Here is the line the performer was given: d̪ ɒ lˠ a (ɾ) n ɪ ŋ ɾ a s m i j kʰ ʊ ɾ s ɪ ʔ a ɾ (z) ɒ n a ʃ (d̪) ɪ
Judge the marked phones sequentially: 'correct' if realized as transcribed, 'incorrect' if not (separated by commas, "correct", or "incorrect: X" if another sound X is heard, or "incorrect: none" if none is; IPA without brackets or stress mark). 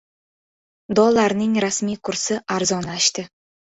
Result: correct, correct, incorrect: t̪